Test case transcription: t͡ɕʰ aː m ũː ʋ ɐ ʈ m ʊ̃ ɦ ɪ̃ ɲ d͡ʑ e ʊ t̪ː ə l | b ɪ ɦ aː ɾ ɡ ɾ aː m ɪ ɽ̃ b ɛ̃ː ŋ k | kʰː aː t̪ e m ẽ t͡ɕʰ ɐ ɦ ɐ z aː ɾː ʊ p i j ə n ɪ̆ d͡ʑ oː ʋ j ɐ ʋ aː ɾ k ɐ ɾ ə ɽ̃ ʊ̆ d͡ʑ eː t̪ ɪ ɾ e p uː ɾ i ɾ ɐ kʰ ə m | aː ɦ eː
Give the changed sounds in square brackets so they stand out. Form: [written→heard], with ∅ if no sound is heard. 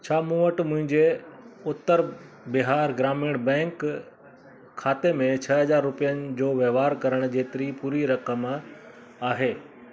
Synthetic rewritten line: t͡ɕʰ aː m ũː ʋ [ɐ→ə] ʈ m ʊ̃ ɦ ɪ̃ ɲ d͡ʑ e ʊ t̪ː ə [l→ɾ] | b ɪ ɦ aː ɾ ɡ ɾ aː m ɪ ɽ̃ b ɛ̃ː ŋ k | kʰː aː t̪ e m ẽ t͡ɕʰ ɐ ɦ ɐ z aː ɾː ʊ p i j ə n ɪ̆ d͡ʑ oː ʋ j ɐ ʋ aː ɾ k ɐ ɾ ə ɽ̃ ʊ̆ d͡ʑ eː t̪ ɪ ɾ [e→i] p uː ɾ i ɾ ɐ [kʰ→k] ə m | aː ɦ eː